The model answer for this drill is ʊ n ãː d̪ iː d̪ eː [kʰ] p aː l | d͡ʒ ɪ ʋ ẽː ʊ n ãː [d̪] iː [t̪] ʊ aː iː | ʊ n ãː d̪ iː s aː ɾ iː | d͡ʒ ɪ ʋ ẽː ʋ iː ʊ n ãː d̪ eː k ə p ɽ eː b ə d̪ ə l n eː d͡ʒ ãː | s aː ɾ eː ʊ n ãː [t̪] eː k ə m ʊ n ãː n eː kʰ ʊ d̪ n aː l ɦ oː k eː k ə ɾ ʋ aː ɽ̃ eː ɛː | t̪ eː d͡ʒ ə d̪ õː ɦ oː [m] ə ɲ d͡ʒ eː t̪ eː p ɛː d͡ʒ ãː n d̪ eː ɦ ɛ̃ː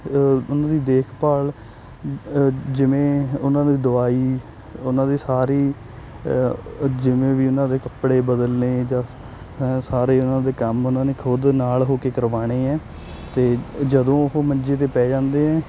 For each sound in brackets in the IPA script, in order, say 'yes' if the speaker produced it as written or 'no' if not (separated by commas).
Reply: yes, yes, no, no, yes